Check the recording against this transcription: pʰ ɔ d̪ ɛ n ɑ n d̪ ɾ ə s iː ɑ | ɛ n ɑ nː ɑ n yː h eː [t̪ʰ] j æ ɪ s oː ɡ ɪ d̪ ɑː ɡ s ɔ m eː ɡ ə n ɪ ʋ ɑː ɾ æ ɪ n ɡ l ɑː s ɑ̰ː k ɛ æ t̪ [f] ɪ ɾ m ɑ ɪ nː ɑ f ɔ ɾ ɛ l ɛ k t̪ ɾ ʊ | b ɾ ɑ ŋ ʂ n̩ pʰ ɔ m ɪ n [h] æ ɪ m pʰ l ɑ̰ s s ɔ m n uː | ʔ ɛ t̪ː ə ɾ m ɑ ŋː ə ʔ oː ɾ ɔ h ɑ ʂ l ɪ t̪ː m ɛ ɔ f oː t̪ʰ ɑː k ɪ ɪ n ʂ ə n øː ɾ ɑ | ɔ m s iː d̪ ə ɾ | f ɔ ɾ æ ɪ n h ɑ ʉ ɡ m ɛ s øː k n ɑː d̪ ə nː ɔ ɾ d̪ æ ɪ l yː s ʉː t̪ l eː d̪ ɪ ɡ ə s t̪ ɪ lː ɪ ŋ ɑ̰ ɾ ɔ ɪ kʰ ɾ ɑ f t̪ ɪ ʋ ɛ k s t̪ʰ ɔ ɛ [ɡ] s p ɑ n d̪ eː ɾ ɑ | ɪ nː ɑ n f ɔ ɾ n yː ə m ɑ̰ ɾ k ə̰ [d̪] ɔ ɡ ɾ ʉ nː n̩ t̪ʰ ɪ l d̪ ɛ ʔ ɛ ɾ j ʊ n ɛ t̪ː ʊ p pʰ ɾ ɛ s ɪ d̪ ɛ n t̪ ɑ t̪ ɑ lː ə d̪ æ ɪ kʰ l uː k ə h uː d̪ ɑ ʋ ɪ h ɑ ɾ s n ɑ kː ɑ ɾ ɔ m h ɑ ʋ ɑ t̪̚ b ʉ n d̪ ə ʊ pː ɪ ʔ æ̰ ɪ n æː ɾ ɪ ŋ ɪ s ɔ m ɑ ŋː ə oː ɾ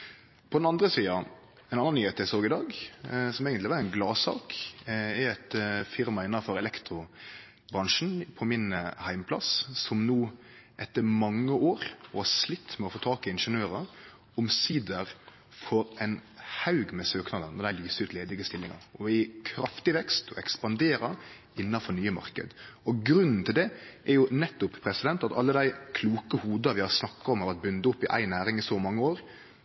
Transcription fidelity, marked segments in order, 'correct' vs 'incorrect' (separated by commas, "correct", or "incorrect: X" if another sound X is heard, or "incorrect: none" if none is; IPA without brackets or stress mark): incorrect: t̪, correct, correct, incorrect: k, correct